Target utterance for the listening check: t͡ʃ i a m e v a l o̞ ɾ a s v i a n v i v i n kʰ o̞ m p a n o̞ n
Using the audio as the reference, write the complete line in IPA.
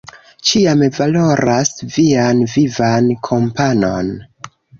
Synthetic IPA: t͡ʃ i a m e v a l o̞ ɾ a s v i a n v i v a n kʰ o̞ m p a n o̞ n